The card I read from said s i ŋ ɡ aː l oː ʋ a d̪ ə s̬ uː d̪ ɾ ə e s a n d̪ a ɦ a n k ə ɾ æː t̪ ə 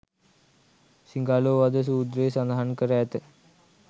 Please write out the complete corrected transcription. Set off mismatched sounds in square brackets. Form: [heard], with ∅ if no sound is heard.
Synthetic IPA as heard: s i ŋ ɡ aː l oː ʋ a d̪ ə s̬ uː d̪ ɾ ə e s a n d̪ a ɦ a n k ə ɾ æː t̪ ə

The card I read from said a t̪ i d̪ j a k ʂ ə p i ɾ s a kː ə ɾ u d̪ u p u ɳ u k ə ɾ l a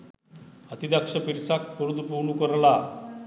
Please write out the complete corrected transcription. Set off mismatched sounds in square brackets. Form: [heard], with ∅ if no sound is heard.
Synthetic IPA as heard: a t̪ i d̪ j a k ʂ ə p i ɾ s a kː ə ɾ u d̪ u p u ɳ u k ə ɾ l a

